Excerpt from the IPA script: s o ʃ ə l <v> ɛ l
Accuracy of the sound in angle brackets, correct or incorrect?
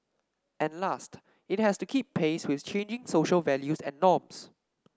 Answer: correct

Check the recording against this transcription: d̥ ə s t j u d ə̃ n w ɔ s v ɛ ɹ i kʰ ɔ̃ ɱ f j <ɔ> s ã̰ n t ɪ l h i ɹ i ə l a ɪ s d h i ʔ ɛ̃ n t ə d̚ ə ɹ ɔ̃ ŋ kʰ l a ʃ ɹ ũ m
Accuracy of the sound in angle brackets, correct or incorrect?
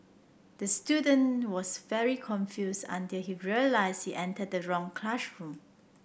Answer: incorrect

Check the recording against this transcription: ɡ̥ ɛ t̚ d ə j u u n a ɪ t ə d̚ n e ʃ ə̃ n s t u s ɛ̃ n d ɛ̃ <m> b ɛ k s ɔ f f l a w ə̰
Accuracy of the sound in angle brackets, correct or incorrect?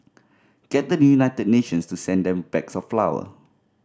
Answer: correct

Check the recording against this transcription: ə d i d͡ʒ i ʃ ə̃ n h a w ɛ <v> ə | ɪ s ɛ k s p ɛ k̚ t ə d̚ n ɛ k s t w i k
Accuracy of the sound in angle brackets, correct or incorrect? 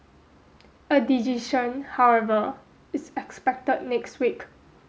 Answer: correct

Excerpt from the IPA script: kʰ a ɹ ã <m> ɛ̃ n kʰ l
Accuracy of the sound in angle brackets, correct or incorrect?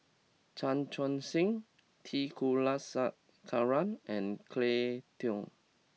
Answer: incorrect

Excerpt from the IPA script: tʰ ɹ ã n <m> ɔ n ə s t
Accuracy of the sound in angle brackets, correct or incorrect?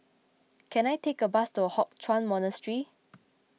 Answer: correct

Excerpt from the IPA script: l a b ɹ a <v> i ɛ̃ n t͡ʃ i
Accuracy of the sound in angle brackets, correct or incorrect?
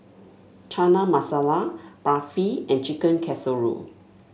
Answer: incorrect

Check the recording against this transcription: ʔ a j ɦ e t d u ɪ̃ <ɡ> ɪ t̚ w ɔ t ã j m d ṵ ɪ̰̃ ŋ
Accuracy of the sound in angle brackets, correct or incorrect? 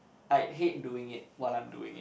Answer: incorrect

